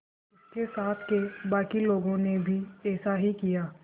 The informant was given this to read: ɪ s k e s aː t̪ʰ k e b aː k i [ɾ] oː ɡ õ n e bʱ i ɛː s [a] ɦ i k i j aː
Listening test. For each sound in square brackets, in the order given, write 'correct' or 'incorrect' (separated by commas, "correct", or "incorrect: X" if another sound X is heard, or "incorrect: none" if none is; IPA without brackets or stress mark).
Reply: incorrect: l, correct